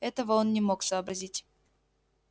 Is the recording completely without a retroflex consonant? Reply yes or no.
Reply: yes